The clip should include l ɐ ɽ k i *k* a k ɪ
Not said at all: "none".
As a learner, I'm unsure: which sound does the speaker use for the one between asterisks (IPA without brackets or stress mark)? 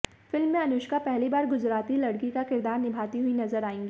k